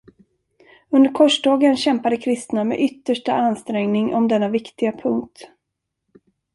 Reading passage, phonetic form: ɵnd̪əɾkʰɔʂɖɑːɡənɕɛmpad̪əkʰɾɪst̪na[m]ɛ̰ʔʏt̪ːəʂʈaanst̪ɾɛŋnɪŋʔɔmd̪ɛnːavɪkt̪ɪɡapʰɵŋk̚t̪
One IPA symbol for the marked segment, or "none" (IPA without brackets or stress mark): m